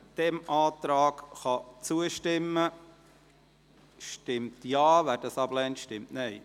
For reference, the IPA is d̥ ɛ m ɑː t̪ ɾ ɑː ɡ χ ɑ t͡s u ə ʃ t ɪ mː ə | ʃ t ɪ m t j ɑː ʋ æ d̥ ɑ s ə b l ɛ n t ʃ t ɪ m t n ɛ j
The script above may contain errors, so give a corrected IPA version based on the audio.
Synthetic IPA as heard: d̥ ɛ m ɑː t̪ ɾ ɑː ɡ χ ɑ t͡s u ə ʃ t ɪ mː ə | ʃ t ɪ m t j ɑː ʋ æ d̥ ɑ s ɑ b l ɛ n t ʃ t ɪ m t n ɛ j